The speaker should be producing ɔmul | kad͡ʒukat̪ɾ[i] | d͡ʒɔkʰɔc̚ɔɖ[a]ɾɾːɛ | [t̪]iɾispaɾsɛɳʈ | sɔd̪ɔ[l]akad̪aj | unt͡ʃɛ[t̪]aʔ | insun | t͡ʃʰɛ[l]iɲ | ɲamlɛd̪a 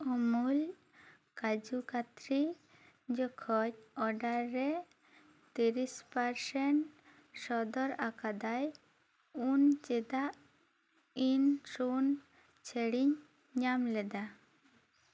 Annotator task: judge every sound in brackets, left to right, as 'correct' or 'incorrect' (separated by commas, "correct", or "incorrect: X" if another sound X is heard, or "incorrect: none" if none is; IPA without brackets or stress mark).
correct, correct, correct, incorrect: ɾ, incorrect: d̪, incorrect: ɽ